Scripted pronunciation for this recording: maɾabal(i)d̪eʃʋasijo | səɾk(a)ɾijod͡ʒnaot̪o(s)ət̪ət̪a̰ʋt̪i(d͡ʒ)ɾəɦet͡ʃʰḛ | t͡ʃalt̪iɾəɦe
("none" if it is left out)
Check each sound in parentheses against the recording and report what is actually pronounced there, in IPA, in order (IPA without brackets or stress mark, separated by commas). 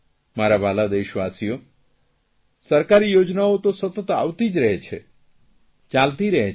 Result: a, a, s, d͡ʒ